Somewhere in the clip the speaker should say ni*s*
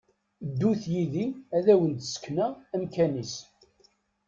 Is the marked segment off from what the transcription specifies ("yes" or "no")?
no